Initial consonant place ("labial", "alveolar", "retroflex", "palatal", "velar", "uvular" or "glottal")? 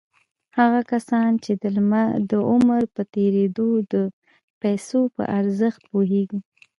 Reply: glottal